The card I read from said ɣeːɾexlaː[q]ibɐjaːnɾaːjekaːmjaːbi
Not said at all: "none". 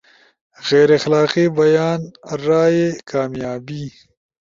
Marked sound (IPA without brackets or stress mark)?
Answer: q